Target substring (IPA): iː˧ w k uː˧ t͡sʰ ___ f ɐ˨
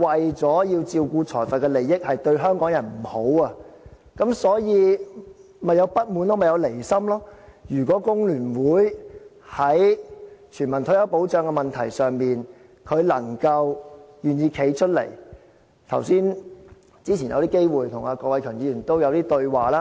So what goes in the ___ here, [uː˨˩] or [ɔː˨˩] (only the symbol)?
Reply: ɔː˨˩